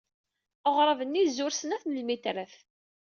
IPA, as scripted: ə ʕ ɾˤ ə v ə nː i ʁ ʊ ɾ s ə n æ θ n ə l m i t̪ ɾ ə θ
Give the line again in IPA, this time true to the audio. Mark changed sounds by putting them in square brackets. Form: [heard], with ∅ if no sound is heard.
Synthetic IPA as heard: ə [ʁ] ɾˤ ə v ə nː i [z] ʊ ɾ s ə n æ θ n ə l m i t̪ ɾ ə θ